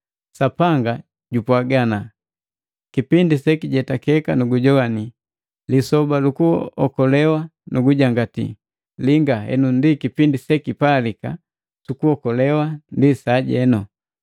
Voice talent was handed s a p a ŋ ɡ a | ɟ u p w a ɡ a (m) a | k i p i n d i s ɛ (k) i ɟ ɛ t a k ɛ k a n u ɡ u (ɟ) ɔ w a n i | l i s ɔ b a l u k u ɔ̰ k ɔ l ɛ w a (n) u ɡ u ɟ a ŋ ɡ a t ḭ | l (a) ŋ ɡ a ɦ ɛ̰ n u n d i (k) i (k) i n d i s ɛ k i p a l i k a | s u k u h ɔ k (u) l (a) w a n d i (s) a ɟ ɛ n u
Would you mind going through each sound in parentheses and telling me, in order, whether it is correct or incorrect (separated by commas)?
incorrect, correct, correct, correct, incorrect, correct, incorrect, incorrect, incorrect, correct